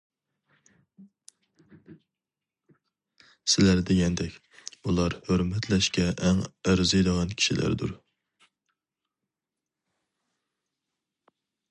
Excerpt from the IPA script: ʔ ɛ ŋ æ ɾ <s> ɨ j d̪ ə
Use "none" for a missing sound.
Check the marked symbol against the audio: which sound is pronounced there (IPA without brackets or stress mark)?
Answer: z